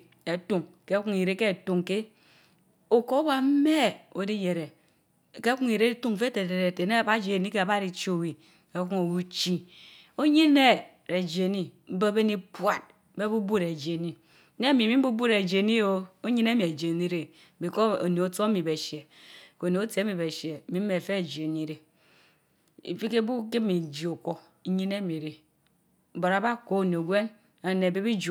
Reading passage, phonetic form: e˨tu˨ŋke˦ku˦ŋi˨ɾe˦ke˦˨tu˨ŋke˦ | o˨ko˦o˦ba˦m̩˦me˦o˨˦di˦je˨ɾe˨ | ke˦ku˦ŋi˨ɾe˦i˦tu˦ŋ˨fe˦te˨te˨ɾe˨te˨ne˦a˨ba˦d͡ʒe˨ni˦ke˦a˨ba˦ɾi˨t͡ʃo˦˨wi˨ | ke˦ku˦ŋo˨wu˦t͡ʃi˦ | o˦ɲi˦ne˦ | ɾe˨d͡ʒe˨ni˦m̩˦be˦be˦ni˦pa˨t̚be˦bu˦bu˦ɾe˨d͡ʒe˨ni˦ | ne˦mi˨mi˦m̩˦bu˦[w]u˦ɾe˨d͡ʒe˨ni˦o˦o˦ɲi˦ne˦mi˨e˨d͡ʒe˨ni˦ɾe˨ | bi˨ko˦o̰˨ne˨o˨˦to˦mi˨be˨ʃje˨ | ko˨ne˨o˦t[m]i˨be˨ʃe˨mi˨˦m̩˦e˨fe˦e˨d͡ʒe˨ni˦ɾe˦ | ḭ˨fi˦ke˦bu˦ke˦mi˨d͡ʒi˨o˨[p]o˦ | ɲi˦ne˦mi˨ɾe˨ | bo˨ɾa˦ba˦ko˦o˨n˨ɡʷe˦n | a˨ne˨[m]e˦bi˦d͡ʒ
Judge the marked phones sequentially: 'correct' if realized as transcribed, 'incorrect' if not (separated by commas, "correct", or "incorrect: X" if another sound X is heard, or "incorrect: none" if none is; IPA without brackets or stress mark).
incorrect: b, correct, incorrect: k, incorrect: b